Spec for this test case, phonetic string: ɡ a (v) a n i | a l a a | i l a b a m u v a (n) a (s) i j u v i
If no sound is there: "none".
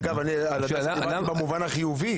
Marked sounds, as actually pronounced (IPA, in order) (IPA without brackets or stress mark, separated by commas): v, n, χ